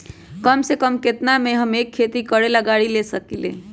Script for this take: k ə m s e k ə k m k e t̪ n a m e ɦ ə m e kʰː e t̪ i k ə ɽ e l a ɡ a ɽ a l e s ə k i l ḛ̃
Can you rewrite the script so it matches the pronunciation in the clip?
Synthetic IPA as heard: k ə m s e k ə m k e t̪ n a m e ɦ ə m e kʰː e t̪ i k ə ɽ e l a ɡ a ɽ i l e s ə k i l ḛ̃